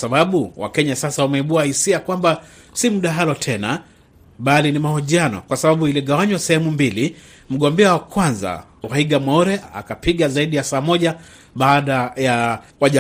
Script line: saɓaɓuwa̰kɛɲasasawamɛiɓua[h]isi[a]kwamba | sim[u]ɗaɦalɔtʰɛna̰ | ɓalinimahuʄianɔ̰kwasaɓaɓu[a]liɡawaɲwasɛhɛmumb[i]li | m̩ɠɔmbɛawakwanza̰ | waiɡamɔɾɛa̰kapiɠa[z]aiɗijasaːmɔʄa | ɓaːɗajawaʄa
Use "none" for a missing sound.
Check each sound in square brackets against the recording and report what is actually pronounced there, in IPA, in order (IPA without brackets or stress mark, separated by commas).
h, a, u, i, i, z